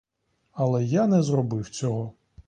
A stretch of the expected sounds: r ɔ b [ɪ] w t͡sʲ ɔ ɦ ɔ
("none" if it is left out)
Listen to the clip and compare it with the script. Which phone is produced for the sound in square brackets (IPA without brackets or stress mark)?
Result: ɪ